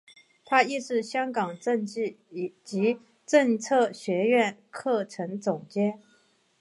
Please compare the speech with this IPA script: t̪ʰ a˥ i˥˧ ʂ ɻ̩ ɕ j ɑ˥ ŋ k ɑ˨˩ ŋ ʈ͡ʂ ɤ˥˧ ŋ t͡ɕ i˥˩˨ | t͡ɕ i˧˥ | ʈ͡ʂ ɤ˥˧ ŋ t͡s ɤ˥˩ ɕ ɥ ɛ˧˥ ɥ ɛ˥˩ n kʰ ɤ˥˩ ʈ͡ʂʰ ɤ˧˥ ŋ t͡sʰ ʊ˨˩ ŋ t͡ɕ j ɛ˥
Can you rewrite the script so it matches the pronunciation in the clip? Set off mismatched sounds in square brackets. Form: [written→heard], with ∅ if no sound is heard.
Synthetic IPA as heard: t̪ʰ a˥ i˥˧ ʂ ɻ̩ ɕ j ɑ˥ ŋ k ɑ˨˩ ŋ ʈ͡ʂ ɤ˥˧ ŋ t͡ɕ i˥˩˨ | t͡ɕ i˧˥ | ʈ͡ʂ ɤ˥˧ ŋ [t͡s→t͡sʰ] ɤ˥˩ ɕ ɥ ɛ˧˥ ɥ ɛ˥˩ n kʰ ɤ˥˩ ʈ͡ʂʰ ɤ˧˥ ŋ [t͡sʰ→t͡s] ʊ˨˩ ŋ t͡ɕ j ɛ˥